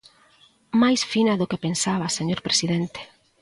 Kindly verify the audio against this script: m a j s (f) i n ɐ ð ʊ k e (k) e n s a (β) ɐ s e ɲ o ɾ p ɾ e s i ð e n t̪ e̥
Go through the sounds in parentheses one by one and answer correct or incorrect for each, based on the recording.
correct, incorrect: p, correct

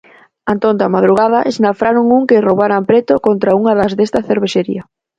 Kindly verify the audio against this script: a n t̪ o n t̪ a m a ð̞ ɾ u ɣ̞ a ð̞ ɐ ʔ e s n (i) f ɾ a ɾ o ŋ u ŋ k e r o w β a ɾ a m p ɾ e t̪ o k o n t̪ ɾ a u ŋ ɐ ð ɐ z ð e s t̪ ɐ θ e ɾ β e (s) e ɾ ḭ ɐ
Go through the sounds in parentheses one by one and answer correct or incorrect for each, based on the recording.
incorrect: a, incorrect: ʃ

